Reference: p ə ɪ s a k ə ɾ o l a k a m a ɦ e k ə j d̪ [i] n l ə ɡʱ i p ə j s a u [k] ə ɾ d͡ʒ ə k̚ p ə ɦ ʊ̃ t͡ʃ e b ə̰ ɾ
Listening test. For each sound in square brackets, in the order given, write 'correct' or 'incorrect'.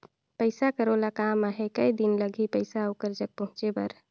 correct, correct

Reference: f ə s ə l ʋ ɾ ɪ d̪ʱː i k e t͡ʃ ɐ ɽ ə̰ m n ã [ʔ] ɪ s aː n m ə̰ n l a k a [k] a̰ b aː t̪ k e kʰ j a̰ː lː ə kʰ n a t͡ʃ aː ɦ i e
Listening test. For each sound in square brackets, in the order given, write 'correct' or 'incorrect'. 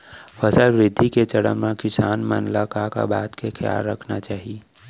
incorrect: k, correct

